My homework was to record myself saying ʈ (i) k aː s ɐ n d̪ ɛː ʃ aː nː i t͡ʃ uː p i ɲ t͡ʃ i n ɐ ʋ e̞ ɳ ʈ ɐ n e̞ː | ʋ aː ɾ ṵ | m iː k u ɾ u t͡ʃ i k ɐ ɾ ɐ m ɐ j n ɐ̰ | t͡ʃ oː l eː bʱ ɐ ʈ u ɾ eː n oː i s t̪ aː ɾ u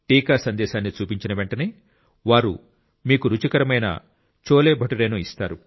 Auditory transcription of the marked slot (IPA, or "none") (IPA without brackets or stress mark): iː